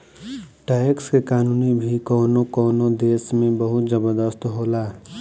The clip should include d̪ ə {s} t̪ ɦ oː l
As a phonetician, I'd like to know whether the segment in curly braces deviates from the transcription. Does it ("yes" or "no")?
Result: no